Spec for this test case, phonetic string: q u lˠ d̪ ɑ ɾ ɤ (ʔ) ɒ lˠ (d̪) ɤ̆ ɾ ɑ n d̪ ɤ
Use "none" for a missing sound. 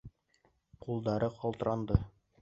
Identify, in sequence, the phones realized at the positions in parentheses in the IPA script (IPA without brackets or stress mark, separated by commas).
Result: q, t̪